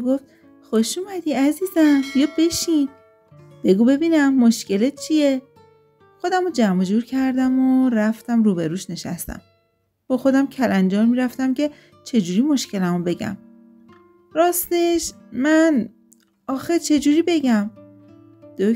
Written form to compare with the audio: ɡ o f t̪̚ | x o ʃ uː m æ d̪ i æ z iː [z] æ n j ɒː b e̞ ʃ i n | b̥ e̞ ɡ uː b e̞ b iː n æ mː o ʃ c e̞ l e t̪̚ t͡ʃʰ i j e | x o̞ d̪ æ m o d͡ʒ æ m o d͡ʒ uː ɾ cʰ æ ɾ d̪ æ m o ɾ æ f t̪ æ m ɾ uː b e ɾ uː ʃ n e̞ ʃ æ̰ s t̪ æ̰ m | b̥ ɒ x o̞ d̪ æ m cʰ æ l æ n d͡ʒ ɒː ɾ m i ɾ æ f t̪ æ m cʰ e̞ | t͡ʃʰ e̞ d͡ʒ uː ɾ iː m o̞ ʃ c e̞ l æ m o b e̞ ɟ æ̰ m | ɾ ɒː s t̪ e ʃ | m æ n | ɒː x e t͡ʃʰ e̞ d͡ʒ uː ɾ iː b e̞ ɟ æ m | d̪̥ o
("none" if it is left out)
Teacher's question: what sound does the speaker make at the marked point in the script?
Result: z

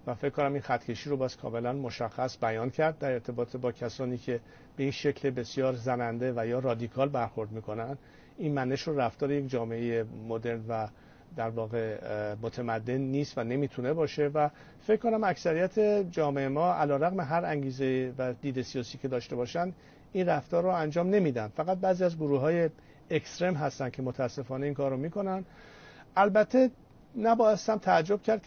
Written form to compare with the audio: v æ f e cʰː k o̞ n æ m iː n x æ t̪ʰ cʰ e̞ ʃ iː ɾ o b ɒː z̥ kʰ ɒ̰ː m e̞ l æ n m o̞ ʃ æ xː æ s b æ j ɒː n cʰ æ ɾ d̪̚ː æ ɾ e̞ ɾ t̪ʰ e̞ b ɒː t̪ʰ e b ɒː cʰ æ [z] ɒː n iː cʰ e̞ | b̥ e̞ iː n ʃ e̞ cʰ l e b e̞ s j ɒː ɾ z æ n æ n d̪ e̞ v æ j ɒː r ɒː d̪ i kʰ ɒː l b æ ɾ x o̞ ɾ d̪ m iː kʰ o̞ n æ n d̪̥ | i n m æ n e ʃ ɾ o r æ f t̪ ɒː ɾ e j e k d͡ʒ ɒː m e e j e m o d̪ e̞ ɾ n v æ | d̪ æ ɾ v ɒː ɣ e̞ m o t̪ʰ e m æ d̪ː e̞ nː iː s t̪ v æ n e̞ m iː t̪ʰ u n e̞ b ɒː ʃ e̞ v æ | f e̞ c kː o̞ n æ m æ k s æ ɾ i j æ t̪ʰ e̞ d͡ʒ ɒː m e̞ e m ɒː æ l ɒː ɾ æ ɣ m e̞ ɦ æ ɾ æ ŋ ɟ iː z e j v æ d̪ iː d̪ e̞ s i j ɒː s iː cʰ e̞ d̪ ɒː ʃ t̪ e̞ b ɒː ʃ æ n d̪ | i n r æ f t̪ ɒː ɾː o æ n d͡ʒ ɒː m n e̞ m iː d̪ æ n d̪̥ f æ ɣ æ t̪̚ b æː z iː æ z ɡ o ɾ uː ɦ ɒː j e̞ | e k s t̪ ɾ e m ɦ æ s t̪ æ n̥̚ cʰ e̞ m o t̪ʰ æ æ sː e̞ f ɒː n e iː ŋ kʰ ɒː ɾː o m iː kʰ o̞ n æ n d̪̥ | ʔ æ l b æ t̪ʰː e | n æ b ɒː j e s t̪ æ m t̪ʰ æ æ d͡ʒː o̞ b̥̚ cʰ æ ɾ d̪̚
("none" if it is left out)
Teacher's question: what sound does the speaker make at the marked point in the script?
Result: s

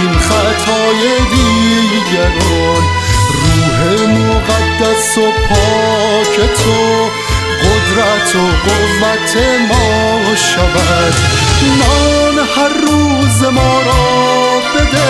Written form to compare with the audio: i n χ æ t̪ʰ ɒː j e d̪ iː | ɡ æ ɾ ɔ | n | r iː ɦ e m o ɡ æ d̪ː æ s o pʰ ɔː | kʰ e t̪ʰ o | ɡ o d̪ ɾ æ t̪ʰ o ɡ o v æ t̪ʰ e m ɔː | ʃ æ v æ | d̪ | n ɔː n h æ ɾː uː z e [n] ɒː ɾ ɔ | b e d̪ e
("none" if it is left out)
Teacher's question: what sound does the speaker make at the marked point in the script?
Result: m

